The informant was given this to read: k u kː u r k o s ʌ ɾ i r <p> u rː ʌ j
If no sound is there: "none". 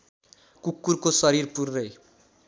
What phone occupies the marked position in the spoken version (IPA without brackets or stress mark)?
p